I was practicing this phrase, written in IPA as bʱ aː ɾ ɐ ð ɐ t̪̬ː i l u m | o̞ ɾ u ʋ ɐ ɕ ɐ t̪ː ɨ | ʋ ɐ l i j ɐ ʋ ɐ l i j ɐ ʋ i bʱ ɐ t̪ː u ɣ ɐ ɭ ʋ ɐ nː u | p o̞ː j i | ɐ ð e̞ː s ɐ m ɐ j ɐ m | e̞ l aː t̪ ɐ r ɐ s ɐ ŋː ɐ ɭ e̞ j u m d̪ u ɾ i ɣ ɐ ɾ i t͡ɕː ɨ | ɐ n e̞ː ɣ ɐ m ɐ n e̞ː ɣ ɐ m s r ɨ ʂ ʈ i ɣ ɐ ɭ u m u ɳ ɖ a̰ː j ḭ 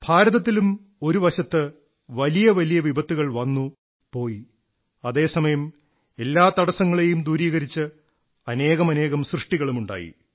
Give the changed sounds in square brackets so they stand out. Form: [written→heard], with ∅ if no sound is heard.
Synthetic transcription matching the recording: bʱ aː ɾ ɐ ð ɐ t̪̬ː i l u m | o̞ ɾ u ʋ ɐ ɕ ɐ t̪ː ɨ | ʋ ɐ l i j ɐ ʋ ɐ l i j ɐ ʋ i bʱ ɐ t̪ː u ɣ ɐ ɭ ʋ ɐ nː u | p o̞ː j i | ɐ ð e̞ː s ɐ m ɐ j ɐ m | e̞ [l→lː] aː t̪ ɐ [r→ɽ] ɐ s ɐ ŋː ɐ ɭ e̞ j u m d̪ [u→uː] ɾ [i→iː] ɣ ɐ ɾ i t͡ɕː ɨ | ɐ n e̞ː ɣ ɐ m ɐ n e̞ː ɣ ɐ m s r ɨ ʂ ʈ i ɣ ɐ ɭ u m u ɳ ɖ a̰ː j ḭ